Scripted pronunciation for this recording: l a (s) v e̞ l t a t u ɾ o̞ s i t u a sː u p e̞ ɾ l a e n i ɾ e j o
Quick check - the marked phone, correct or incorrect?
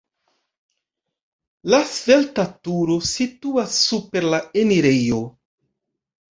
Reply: correct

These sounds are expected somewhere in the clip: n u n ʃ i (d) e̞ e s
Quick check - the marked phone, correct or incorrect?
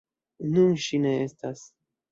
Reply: incorrect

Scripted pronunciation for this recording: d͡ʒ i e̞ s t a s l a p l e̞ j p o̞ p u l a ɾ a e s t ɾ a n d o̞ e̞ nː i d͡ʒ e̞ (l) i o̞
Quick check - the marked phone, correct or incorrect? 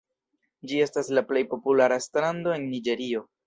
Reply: incorrect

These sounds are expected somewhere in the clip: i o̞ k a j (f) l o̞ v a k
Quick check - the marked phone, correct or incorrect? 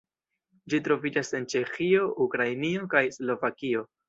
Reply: incorrect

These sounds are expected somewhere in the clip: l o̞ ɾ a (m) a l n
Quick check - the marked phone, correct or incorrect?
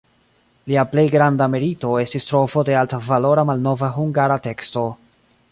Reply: correct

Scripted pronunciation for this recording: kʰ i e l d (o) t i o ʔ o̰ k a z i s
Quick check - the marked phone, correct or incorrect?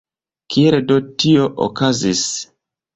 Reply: correct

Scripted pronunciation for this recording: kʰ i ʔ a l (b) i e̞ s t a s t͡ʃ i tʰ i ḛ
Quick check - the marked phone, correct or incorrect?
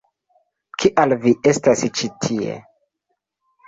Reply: incorrect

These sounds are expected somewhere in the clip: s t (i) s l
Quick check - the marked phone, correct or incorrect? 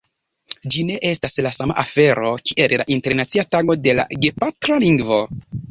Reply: incorrect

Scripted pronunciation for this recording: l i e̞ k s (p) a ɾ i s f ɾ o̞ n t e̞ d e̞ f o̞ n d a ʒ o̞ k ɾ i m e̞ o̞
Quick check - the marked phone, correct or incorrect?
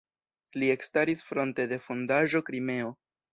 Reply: incorrect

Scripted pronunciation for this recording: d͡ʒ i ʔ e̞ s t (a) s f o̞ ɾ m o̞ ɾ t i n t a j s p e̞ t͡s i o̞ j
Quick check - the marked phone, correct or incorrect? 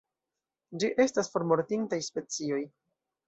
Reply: correct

